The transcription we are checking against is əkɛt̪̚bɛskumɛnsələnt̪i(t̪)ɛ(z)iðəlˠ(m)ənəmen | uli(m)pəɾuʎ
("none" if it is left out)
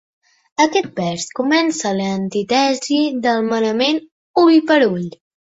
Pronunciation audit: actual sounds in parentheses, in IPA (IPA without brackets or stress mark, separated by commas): t̪, z, m, none